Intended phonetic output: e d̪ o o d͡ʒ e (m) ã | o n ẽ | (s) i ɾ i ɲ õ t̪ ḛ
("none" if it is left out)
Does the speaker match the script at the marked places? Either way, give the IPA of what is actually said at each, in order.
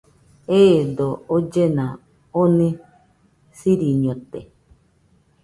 n, s

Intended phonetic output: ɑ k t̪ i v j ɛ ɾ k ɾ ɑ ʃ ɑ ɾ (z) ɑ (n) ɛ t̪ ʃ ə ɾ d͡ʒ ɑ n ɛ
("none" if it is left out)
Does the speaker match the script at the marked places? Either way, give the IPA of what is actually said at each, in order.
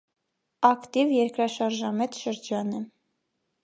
ʒ, m

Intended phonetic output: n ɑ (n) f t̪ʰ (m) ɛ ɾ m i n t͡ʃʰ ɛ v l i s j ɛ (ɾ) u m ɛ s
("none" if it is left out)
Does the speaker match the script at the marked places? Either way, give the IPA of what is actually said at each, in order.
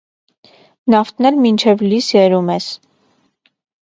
none, n, ɾ

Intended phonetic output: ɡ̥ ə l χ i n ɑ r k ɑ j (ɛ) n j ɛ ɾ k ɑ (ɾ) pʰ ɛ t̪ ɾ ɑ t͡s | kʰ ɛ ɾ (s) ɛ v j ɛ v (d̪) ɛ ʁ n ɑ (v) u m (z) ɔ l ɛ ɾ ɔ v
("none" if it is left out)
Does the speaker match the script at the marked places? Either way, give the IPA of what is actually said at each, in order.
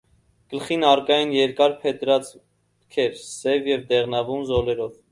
i, ɾ, s, d̪, v, z

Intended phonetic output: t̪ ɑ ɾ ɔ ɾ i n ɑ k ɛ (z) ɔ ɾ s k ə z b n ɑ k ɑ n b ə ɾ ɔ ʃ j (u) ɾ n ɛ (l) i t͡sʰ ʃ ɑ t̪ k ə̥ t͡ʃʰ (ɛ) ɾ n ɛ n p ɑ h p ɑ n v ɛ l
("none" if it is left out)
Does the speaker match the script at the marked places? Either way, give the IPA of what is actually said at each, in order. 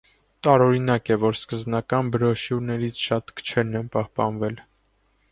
v, u, ɾ, ɛ

